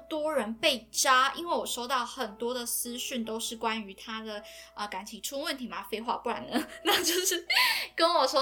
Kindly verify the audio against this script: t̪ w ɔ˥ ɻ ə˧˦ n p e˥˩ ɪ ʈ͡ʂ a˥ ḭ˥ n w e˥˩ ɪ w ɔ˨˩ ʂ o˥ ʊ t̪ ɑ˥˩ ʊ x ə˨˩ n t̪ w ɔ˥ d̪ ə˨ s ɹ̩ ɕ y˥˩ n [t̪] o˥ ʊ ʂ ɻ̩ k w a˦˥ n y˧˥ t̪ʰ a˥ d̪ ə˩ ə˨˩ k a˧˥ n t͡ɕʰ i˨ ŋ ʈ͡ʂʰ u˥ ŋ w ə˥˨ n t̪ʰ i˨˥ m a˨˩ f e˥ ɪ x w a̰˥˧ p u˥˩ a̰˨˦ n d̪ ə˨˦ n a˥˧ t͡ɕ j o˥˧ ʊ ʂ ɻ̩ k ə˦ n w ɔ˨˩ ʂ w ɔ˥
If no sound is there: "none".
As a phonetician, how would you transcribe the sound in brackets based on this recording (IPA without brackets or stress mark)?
t̪